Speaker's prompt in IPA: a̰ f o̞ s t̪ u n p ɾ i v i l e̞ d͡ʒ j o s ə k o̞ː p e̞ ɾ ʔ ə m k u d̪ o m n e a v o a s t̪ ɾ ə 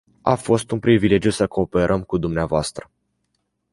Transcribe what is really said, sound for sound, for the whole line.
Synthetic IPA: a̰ f o̞ s t̪ u n p ɾ i v i l e̞ d͡ʒ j u s ə k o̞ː p e̞ ɾ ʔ ə m k u d̪ u m n e a v o a s t̪ ɾ ə